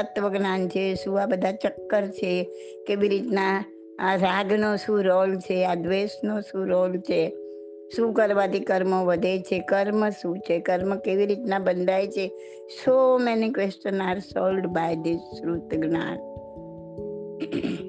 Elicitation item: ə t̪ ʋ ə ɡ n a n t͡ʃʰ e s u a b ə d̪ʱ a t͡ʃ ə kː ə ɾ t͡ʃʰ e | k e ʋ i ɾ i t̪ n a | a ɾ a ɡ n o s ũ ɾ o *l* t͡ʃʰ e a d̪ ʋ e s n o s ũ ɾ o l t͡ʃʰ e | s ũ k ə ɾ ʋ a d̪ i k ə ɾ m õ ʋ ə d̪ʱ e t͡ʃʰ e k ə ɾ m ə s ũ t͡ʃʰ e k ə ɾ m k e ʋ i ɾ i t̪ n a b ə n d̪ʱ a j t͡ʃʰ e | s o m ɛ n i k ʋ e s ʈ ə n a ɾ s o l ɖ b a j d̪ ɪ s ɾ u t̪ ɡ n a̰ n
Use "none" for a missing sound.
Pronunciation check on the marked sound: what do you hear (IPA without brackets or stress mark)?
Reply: l